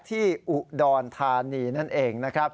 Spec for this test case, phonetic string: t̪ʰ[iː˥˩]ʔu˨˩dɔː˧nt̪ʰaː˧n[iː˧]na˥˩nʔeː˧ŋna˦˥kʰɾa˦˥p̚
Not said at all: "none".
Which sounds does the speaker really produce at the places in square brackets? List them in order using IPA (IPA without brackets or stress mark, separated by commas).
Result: iː˥˩, iː˧